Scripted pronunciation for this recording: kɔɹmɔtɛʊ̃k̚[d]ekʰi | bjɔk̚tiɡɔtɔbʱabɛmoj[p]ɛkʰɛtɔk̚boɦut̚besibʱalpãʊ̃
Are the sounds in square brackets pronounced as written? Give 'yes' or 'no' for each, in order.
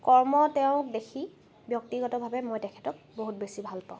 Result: yes, no

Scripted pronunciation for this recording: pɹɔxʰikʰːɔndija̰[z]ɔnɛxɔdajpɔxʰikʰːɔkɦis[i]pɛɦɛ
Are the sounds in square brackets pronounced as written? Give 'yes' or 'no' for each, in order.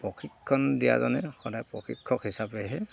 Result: yes, no

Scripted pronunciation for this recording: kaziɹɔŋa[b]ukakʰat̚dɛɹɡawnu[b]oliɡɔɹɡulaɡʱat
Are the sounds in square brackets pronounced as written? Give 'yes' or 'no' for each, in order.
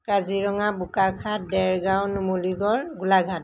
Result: yes, no

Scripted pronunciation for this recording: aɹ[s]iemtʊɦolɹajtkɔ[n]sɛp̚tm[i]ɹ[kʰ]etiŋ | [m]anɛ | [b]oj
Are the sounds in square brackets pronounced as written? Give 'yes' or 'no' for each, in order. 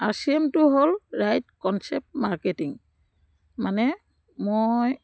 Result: yes, yes, no, no, yes, no

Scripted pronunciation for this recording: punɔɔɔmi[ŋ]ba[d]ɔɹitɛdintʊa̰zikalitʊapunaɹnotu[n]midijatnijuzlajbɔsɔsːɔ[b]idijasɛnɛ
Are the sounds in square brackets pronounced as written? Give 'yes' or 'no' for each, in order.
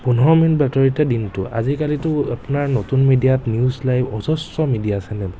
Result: no, no, yes, no

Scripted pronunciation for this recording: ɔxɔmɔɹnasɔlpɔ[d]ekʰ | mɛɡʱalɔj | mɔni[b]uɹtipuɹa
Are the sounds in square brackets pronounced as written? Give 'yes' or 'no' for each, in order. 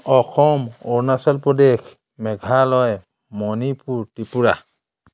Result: yes, no

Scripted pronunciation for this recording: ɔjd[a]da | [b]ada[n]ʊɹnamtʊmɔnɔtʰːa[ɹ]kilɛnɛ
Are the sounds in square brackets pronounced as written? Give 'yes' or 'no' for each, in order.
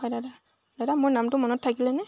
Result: yes, no, no, no

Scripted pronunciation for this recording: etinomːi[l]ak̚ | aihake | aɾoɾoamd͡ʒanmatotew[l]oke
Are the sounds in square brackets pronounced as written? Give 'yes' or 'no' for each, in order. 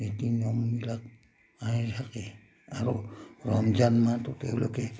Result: yes, yes

